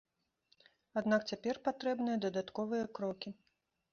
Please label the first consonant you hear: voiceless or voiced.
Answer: voiced